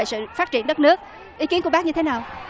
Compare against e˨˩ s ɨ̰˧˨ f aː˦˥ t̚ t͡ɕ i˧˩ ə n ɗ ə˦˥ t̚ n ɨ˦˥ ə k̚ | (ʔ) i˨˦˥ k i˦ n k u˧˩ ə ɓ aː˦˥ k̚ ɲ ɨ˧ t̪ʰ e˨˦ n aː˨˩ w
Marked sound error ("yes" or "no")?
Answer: no